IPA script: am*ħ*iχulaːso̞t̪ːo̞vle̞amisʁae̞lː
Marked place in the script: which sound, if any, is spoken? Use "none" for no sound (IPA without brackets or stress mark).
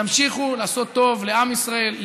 ʃ